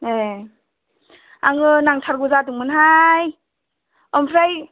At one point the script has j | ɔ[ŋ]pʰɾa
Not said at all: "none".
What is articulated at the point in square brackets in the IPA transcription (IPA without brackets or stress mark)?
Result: m